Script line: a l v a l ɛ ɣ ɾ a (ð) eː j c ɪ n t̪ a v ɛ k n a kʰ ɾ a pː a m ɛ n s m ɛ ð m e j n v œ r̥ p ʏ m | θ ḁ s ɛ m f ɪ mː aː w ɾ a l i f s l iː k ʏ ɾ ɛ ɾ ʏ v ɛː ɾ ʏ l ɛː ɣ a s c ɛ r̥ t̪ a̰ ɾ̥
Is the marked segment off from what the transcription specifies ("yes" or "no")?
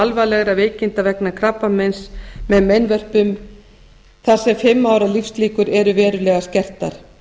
yes